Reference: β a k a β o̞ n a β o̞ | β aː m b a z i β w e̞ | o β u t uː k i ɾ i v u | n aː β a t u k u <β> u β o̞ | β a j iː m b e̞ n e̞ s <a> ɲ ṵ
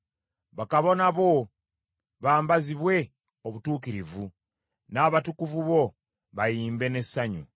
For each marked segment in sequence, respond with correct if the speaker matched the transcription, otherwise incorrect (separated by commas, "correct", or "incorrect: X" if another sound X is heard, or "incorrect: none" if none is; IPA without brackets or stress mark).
incorrect: v, correct